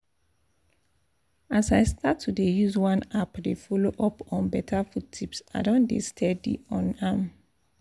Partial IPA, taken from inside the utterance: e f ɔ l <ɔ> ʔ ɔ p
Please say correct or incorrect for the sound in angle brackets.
incorrect